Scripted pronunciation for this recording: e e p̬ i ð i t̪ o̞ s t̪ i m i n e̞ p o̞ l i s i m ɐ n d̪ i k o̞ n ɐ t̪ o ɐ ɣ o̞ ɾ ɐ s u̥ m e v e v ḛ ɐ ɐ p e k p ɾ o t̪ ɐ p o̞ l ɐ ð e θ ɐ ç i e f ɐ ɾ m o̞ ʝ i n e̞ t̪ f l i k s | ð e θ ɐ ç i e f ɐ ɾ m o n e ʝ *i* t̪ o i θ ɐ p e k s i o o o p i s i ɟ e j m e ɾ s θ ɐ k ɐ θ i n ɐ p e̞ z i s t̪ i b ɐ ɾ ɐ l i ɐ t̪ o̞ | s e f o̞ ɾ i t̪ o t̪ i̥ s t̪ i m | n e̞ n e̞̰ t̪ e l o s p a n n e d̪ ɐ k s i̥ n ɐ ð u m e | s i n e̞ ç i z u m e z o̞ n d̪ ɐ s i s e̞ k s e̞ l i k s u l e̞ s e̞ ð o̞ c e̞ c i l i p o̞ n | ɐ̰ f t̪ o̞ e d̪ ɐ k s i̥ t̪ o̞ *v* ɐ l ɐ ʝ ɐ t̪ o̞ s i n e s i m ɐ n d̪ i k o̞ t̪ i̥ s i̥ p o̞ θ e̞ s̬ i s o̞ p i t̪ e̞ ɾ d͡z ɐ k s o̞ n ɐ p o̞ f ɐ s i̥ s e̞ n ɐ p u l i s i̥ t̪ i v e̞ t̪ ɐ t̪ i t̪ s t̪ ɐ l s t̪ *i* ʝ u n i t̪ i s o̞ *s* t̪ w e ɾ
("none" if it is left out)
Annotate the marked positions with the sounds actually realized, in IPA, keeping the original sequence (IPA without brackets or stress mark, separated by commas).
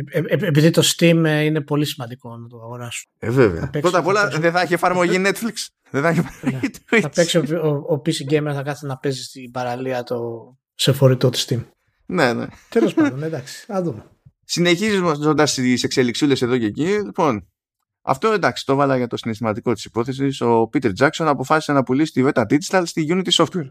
i, v, i, f